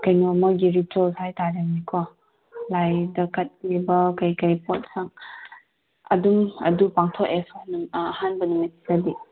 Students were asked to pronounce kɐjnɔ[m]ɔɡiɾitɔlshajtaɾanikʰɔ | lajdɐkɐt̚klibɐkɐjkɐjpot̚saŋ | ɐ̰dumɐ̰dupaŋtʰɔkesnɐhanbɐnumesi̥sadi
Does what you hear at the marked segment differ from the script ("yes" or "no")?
no